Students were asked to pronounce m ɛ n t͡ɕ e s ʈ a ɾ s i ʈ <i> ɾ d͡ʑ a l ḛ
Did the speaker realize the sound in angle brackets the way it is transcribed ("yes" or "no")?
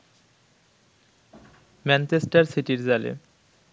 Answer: yes